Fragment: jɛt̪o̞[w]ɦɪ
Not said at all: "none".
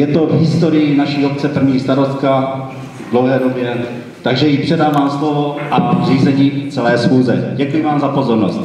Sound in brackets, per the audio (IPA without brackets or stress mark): v